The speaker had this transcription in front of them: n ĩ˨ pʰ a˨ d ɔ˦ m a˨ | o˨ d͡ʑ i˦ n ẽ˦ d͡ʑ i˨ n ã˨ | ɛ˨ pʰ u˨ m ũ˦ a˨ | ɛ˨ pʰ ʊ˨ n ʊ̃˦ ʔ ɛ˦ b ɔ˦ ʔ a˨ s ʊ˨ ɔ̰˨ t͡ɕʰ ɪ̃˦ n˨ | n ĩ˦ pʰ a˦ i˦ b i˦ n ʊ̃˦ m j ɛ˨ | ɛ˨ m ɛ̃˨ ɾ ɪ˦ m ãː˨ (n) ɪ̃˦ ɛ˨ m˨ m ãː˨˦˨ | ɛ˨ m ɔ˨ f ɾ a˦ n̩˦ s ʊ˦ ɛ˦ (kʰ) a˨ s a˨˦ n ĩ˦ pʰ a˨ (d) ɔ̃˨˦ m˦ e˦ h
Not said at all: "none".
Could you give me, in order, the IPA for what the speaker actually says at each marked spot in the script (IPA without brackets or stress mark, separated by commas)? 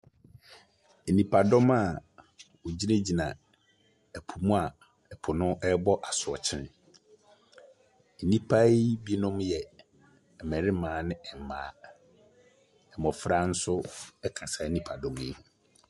n, kʰ, d